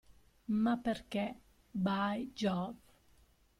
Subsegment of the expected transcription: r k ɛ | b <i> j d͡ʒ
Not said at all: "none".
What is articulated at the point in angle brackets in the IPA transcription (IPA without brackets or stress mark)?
a